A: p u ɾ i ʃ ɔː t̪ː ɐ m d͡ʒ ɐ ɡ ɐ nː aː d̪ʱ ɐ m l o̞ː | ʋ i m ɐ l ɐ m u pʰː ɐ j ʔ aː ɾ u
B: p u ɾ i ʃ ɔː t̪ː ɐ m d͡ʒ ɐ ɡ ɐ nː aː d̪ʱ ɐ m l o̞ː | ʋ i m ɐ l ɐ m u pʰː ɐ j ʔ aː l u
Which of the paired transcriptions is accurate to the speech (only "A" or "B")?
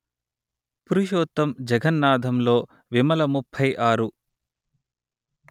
A